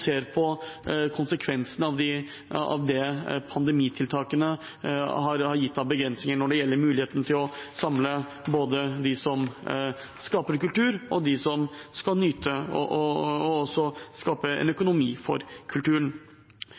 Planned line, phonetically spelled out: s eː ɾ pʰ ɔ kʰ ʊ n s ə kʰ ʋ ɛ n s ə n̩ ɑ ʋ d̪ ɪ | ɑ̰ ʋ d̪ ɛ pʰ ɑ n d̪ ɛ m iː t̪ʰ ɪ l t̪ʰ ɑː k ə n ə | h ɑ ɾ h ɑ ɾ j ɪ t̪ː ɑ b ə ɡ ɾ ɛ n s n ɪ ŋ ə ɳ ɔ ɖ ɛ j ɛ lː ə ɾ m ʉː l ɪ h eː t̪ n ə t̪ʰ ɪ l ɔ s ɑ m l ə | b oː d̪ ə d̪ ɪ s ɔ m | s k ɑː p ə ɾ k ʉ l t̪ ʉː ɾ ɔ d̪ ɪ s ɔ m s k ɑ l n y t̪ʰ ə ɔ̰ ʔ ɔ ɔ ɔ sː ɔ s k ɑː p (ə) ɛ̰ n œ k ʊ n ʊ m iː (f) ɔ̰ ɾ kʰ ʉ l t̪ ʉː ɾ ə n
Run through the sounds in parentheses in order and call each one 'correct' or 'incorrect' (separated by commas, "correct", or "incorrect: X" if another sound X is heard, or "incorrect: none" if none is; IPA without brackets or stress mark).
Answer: correct, correct